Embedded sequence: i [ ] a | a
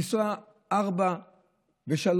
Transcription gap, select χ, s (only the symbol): s